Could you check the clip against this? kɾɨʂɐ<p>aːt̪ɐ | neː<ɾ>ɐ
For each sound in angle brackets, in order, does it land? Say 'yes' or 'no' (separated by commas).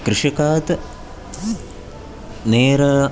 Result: no, yes